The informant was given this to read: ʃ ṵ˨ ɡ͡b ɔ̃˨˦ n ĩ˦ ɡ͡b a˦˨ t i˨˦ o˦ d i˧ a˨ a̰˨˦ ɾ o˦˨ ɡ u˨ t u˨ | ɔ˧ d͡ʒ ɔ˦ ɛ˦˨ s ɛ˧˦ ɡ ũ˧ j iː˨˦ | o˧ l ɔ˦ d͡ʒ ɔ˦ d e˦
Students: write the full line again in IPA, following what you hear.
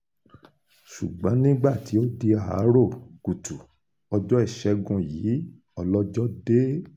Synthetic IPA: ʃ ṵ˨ ɡ͡b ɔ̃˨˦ n ĩ˦ ɡ͡b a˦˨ t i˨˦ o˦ d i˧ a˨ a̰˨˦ ɾ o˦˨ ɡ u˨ t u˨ | ɔ˧ d͡ʒ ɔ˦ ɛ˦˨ ʃ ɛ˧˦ ɡ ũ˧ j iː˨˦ | ɔ˧ l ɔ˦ d͡ʒ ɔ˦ d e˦